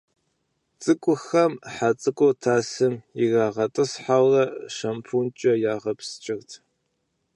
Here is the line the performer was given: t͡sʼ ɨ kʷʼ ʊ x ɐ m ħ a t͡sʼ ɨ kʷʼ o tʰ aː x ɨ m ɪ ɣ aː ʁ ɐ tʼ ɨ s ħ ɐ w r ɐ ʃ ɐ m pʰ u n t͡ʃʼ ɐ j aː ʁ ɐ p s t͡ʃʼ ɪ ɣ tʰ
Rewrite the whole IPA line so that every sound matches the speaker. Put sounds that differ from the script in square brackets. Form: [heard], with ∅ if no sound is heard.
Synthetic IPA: t͡sʼ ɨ kʷʼ ʊ x ɐ m ħ a t͡sʼ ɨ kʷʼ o tʰ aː [s] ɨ m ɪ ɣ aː ʁ ɐ tʼ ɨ s ħ [a] w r ɐ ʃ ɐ m pʰ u n t͡ʃʼ ɐ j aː ʁ ɐ p s t͡ʃʼ ɪ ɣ tʰ